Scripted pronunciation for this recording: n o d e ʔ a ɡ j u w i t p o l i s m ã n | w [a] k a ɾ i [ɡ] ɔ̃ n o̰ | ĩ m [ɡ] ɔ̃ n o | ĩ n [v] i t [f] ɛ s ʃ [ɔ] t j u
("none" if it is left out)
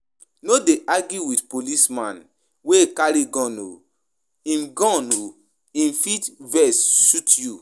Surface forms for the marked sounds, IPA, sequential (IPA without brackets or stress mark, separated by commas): e, ɡ, ɡ, f, v, u